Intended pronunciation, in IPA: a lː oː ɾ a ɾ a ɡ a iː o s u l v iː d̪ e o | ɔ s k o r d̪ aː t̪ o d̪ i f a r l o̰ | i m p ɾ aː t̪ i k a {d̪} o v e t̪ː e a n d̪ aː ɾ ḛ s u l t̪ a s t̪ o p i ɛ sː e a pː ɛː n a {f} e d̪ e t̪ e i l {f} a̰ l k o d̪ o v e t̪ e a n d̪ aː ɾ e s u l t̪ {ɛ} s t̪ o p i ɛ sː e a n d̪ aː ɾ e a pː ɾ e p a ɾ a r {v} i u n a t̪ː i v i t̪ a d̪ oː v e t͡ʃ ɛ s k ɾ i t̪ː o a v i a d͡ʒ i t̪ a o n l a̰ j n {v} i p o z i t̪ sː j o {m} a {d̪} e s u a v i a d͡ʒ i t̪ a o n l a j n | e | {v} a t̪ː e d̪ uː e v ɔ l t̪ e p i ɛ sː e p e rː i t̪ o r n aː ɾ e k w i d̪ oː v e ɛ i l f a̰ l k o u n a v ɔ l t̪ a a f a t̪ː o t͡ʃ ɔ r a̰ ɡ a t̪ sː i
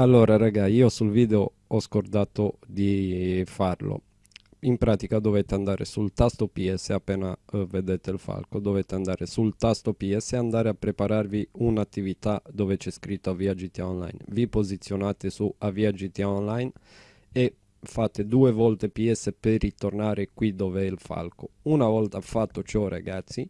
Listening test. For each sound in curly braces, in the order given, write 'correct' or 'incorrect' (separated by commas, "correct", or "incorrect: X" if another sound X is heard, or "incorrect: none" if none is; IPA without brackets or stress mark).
correct, incorrect: v, correct, incorrect: a, correct, correct, incorrect: n, incorrect: t̪, incorrect: f